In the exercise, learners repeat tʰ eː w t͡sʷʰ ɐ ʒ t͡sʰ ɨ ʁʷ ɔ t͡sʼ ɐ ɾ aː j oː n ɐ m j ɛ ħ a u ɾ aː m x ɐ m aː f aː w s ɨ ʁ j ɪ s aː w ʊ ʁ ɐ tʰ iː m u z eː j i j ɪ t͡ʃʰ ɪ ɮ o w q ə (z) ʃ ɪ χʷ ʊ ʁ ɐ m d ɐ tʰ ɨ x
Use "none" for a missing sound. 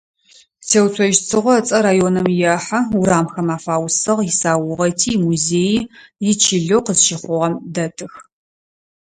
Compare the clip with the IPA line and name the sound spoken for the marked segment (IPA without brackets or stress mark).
z